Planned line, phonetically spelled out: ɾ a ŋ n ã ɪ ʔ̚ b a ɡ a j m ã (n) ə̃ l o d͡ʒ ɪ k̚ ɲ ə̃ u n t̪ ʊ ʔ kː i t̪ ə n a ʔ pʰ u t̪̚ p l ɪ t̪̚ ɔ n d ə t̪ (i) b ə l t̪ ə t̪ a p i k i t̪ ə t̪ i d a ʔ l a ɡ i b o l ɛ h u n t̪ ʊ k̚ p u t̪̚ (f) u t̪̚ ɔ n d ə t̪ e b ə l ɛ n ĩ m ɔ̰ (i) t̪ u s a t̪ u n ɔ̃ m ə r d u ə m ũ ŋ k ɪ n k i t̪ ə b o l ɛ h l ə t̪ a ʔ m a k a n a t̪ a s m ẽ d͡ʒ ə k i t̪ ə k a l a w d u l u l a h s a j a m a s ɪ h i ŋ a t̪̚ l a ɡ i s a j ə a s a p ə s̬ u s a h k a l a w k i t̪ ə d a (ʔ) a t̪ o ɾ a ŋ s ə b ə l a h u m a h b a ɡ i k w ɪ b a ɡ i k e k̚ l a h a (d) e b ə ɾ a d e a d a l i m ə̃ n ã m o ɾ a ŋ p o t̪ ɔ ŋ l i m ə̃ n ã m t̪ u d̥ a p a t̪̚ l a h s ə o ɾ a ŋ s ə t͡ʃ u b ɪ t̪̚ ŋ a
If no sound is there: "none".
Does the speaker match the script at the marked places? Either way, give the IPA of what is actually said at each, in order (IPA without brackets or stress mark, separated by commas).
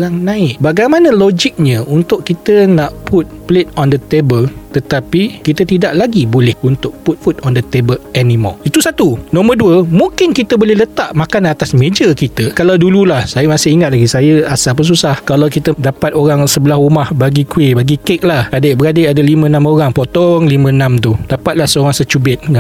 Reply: n, e, f, i, p, d